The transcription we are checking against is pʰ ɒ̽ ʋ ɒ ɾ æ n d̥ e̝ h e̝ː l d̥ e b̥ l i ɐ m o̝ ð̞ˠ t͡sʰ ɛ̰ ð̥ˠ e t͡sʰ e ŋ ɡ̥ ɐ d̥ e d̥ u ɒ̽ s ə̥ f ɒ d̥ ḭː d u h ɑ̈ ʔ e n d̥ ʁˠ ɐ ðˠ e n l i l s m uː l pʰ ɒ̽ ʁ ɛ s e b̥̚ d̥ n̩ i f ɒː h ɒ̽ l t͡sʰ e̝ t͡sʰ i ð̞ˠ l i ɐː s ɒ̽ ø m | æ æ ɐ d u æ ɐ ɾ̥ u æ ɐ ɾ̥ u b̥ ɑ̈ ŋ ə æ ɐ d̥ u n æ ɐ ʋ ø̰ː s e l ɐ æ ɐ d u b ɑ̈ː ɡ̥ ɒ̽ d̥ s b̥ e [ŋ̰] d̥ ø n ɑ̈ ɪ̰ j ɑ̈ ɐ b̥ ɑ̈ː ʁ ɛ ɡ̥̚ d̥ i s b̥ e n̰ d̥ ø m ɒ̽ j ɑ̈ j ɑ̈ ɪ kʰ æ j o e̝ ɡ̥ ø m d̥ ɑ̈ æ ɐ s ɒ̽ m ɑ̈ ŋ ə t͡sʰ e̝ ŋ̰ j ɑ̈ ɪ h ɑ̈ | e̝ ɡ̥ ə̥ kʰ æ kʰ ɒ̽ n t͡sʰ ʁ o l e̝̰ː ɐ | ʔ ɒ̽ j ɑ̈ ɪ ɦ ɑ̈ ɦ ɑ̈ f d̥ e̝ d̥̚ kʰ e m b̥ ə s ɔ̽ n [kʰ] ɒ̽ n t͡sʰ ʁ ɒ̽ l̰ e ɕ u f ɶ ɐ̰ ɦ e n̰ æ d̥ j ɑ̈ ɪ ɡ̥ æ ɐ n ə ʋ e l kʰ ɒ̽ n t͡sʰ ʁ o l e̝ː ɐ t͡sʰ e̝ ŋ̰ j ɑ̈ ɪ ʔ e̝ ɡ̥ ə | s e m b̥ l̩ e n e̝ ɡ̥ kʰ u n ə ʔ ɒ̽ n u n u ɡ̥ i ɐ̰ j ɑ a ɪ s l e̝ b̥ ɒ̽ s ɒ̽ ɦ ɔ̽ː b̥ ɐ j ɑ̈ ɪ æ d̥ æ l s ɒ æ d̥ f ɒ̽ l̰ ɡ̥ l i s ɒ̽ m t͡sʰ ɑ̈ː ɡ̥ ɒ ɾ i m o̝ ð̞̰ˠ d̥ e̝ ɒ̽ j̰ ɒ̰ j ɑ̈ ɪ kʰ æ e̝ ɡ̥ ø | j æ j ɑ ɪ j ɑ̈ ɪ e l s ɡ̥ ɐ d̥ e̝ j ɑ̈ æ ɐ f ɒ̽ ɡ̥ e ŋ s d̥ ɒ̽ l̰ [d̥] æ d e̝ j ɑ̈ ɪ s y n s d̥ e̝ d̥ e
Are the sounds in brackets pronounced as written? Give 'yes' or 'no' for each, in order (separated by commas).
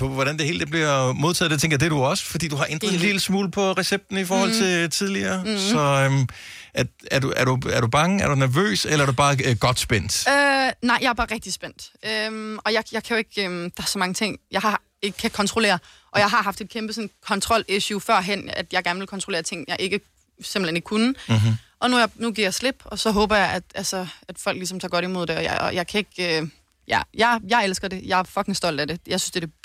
no, yes, yes